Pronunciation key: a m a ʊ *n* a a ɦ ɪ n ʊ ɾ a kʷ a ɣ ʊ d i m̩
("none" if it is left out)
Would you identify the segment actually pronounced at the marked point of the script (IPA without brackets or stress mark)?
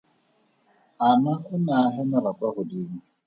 n